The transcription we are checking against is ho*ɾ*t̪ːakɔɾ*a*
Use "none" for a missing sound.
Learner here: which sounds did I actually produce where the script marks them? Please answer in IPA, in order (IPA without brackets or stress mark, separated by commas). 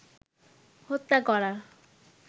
none, a